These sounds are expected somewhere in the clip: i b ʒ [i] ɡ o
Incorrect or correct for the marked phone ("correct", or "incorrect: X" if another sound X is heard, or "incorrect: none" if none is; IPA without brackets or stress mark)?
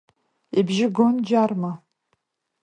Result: incorrect: ɪ